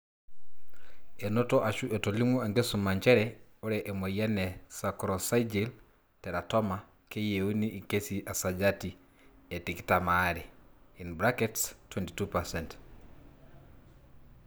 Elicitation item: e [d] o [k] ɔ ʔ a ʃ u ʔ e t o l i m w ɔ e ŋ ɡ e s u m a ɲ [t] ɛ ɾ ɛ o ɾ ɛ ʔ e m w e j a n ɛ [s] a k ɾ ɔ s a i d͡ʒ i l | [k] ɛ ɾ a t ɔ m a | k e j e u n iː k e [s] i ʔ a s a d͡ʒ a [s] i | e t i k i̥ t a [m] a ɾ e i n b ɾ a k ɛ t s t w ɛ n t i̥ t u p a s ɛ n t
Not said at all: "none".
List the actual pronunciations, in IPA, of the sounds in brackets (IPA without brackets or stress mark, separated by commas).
n, t, t͡ʃ, s, t, s, t, m